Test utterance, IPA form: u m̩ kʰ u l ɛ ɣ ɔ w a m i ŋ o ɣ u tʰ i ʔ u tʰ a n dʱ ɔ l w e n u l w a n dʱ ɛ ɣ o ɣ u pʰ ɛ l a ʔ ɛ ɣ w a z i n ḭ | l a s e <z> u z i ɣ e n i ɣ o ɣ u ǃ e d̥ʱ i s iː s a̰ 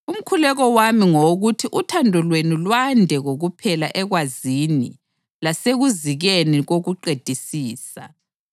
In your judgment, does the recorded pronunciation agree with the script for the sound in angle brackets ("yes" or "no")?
no